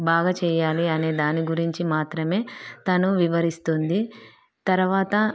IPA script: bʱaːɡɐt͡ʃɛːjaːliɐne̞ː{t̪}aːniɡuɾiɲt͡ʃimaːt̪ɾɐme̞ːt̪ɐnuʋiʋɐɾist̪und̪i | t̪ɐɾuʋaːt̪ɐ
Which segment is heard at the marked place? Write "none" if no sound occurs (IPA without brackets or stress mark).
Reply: d̪